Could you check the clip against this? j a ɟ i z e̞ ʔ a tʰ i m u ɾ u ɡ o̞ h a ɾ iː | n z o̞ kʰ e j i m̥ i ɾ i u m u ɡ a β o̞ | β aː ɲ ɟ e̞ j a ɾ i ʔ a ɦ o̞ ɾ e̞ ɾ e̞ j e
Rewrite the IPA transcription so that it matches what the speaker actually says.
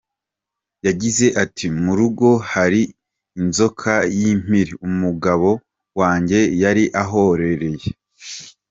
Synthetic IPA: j a ɟ i z e̞ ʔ a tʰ i m u ɾ u ɡ o̞ h a ɾ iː | n z o̞ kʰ a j i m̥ i ɾ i u m u ɡ a β o̞ | w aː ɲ ɟ e̞ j a ɾ i ʔ a ɦ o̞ ɾ e̞ ɾ e̞ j e